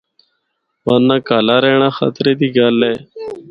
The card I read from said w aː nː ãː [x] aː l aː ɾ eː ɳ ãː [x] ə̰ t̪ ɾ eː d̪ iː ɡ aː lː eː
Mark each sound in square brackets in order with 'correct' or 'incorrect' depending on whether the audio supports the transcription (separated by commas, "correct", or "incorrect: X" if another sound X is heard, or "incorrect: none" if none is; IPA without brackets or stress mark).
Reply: incorrect: k, correct